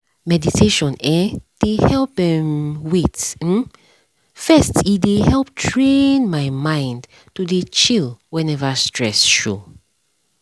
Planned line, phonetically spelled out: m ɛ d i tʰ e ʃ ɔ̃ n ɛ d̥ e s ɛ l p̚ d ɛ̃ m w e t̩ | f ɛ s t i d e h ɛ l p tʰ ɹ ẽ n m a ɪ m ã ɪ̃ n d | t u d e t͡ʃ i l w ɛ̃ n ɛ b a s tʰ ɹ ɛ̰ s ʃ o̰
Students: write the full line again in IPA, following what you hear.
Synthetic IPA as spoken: m ɛ d i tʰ e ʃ ɔ̃ n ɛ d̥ e h ɛ l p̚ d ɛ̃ m w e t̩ | f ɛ s t i d e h ɛ l p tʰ ɹ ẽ n m a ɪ m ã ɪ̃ n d | t u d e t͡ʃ i l w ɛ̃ n ɛ v a s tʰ ɹ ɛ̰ s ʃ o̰